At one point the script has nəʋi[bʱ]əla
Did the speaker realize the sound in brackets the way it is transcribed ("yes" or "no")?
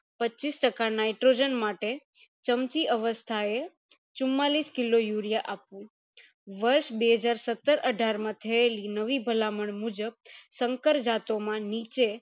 yes